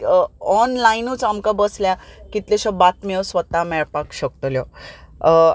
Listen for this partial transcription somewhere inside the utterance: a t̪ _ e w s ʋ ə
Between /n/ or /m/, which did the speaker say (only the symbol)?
m